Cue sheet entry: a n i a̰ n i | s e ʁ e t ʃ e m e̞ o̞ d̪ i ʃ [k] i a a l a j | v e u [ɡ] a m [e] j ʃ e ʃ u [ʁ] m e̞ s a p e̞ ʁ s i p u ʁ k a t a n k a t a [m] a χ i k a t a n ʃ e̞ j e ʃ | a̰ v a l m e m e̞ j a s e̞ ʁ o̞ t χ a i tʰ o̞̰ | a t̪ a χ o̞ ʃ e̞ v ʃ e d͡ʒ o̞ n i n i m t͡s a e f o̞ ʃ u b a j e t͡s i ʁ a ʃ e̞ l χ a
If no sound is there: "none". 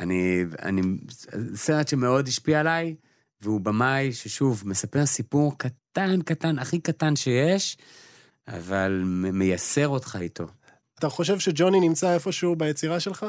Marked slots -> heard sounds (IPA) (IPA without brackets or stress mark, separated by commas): p, b, a, v, n